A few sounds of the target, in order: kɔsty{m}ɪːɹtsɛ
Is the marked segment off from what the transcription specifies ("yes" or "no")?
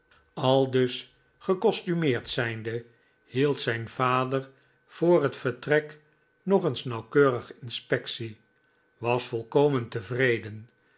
no